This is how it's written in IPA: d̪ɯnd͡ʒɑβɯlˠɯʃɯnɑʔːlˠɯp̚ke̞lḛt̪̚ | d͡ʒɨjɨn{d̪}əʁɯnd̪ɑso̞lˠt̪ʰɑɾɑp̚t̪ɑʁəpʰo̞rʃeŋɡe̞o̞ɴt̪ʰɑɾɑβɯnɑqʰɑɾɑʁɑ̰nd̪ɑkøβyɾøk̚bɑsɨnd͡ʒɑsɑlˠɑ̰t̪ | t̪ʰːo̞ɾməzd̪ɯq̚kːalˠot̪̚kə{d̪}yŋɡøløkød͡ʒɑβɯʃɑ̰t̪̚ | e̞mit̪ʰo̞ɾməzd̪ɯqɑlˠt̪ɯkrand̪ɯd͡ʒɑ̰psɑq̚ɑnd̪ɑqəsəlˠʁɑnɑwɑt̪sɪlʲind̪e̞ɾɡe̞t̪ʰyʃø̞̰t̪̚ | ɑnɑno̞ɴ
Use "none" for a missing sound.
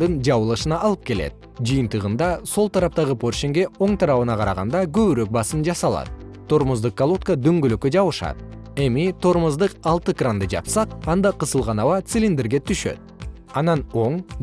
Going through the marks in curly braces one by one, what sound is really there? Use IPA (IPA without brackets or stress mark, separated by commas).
t̪, d̪